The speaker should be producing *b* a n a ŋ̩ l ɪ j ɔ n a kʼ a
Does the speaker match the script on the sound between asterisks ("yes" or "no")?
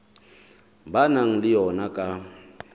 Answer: yes